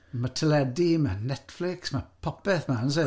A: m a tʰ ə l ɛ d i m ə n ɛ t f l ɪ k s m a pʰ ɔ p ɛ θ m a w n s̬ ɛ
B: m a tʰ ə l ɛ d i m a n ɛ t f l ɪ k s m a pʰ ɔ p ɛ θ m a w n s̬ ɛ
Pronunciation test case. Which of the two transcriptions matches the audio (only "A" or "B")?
B